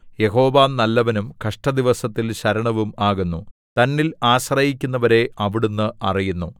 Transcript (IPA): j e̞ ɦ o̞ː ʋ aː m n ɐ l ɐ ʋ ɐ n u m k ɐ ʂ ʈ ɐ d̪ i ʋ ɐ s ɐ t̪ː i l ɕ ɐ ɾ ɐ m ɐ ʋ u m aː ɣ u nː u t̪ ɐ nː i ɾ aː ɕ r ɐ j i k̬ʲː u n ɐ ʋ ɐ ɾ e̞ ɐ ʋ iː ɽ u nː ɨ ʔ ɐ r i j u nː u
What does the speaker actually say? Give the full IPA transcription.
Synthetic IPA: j e̞ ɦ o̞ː ʋ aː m n ɐ lː ɐ ʋ ɐ n u m k ɐ ʂ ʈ ɐ d̪ i ʋ ɐ s ɐ t̪ː i l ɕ ɐ ɾ ɐ ɳ ɐ ʋ u m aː ɣ u nː u t̪ ɐ nː i l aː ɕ r ɐ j i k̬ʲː u nː ɐ ʋ ɐ ɾ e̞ ɐ ʋ i ɽ u nː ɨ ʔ ɐ r i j u nː u

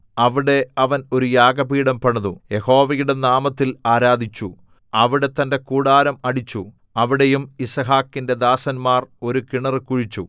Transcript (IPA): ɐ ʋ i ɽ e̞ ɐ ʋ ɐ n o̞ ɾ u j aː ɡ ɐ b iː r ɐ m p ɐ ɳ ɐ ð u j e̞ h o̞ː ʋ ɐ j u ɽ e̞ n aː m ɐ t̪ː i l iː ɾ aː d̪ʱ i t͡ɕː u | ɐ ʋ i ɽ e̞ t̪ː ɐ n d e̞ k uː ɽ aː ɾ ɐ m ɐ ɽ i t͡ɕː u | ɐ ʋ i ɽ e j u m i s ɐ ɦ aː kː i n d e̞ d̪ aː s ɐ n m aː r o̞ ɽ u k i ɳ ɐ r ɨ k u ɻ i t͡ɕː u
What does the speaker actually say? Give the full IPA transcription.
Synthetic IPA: ɐ ʋ i ɽ e̞ ɐ ʋ ɐ n o̞ ɾ u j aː ɡ ɐ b iː ɽ ɐ m p ɐ ɳ ɐ ð u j e̞ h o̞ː ʋ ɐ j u ɽ e̞ n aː m ɐ t̪ː i l aː ɾ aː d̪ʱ i t͡ɕː u | ɐ ʋ i ɽ e̞ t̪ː ɐ n d e̞ k uː ɽ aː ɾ ɐ m ɐ ɽ i t͡ɕː u | ɐ ʋ i ɽ e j u m i s ɐ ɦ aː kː i n d e̞ d̪ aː s ɐ n m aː r o̞ ɾ u k i ɳ ɐ r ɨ k u ɻ i t͡ɕː u

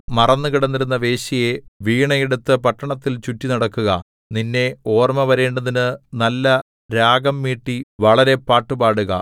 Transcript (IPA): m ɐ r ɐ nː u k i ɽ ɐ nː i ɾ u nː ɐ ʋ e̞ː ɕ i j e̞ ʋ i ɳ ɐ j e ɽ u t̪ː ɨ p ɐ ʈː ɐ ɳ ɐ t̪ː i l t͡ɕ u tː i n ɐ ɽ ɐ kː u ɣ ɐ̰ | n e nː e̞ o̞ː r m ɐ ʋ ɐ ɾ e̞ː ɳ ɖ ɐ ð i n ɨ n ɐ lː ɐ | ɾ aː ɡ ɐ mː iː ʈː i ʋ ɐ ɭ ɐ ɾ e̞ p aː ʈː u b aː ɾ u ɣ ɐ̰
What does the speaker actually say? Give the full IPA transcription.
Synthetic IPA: m ɐ r ɐ nː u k i ɽ ɐ nː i ɾ u nː ɐ ʋ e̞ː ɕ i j e̞ ʋ iː ɳ ɐ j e ɽ u t̪ː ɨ p ɐ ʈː ɐ ɳ ɐ t̪ː i l t͡ɕ u tː i n ɐ ɽ ɐ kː u ɣ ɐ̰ | n i nː e̞ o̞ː r m ɐ ʋ ɐ ɾ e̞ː ɳ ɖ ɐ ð i n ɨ n ɐ lː ɐ | ɾ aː ɡ ɐ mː iː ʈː i ʋ ɐ ɭ ɐ ɾ e̞ p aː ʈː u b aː ɽ u ɣ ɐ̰

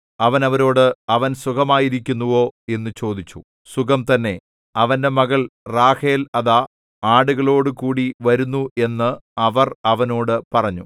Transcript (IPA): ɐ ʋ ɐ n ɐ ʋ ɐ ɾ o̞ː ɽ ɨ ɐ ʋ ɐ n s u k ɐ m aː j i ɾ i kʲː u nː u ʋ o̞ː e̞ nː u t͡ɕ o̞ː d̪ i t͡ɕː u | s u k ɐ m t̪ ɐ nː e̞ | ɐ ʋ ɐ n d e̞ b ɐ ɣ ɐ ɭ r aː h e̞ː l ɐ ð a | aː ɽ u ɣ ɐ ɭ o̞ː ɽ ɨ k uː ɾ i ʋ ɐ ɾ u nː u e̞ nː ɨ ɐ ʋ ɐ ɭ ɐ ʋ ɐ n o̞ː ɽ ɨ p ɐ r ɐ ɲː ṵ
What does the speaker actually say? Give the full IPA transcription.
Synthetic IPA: ɐ ʋ ɐ n ɐ ʋ ɐ ɾ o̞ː ɽ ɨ ɐ ʋ ɐ n s u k ɐ m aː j i ɾ i kʲː u nː u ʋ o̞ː e̞ nː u t͡ɕ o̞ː d̪ i t͡ɕː u | s u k ɐ m t̪ ɐ nː e̞ | ɐ ʋ ɐ n d e̞ m ɐ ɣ ɐ ɭ r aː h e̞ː l ɐ ð a | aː ɽ u ɣ ɐ ɭ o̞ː ɽ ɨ k uː ɽ i ʋ ɐ ɾ u nː u e̞ nː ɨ ɐ ʋ ɐ r ɐ ʋ ɐ n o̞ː ɽ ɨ p ɐ r ɐ ɲː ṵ

